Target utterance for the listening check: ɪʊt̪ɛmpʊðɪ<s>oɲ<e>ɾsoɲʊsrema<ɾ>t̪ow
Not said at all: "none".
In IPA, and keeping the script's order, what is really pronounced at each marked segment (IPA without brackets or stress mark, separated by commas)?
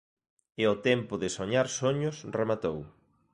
s, a, none